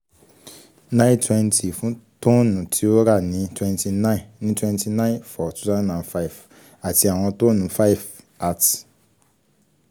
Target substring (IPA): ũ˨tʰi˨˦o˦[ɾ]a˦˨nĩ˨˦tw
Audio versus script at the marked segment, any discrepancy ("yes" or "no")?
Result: no